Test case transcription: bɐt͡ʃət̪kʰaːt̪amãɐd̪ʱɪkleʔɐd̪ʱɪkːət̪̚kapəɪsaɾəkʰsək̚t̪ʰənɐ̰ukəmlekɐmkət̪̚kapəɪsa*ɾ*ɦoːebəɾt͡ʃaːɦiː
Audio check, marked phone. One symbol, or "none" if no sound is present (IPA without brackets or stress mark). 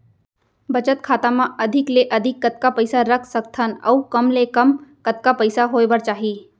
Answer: none